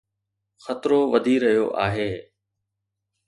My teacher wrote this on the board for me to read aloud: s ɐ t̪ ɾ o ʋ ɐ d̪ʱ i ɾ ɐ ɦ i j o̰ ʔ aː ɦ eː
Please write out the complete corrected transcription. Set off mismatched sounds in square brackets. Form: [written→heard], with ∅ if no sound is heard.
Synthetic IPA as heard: [s→x] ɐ t̪ ɾ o ʋ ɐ d̪ʱ i ɾ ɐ ɦ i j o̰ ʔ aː ɦ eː